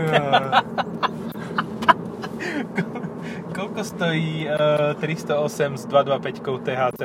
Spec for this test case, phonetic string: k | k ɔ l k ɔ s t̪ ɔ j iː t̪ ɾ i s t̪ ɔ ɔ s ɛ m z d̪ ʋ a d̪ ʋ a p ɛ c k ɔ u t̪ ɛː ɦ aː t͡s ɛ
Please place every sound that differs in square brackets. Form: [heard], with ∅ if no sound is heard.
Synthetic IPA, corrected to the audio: k | k ɔ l k ɔ s t̪ ɔ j iː t̪ ɾ i s t̪ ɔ ɔ s ɛ m z d̪ ʋ a d̪ ʋ a p ɛ c k ɔ [ʊ] t̪ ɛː ɦ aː t͡s ɛ